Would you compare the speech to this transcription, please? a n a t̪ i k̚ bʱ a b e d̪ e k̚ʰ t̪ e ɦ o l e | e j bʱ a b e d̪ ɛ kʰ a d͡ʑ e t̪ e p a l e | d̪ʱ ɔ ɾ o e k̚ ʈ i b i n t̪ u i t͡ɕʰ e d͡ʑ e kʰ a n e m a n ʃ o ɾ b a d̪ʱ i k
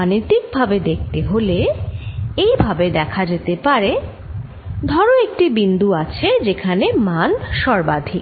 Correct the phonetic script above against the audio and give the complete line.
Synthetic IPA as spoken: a n i t̪ i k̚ bʱ a b e d̪ e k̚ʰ t̪ e ɦ o l e | e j bʱ a b e d̪ ɛ kʰ a d͡ʑ e t̪ e p a ɾ e | d̪ʱ ɔ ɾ o e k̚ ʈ i b i n d̪ u a t͡ɕʰ e d͡ʑ e kʰ a n e m a n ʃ ɔ ɾ b a d̪ʱ i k